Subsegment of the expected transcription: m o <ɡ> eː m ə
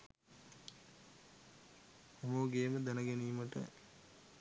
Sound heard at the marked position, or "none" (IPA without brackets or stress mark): ɡ